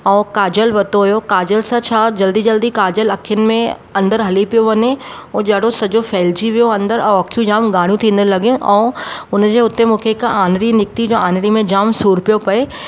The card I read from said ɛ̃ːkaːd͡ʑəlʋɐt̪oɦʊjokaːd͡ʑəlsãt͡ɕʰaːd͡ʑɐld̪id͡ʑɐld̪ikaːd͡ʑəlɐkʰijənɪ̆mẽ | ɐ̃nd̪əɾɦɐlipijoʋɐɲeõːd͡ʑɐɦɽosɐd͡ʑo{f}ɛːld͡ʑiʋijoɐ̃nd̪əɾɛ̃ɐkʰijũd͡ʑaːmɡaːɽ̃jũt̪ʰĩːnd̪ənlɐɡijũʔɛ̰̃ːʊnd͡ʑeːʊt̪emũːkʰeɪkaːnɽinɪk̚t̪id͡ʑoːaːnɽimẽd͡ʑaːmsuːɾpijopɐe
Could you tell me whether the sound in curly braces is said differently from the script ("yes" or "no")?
no